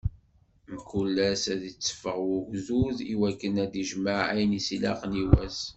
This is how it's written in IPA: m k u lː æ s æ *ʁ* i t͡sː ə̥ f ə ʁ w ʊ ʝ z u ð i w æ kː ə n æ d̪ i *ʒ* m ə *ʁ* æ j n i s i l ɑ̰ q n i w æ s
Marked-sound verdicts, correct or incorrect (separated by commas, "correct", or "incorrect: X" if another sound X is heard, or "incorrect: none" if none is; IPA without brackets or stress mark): incorrect: ð, correct, incorrect: ʕ